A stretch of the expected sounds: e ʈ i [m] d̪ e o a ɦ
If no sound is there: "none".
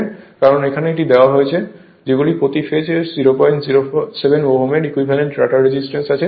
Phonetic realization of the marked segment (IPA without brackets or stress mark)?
none